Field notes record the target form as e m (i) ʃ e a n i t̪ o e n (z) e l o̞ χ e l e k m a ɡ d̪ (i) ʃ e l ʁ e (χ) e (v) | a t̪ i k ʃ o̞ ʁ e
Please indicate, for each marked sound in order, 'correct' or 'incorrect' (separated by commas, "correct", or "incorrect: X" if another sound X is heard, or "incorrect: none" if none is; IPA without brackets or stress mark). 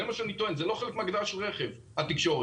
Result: incorrect: a, correct, incorrect: a, correct, correct